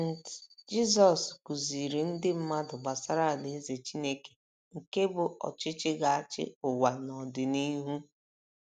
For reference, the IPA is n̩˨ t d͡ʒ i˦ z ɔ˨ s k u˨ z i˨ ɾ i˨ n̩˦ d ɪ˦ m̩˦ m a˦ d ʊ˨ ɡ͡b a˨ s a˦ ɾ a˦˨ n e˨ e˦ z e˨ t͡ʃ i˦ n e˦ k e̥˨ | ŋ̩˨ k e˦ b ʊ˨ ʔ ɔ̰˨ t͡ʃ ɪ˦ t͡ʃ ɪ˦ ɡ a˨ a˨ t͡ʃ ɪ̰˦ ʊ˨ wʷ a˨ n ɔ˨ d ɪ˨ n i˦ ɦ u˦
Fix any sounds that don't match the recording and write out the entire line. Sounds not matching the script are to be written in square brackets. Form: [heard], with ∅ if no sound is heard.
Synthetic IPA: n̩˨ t d͡ʒ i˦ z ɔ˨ s k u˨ z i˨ ɾ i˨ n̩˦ d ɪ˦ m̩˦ m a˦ d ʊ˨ ɡ͡b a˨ s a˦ ɾ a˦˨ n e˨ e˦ z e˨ t͡ʃ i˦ n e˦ k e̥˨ | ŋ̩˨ k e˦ b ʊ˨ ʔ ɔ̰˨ t͡ʃ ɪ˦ t͡ʃ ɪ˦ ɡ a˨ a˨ t͡ʃ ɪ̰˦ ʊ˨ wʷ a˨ n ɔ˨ d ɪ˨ n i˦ ɦ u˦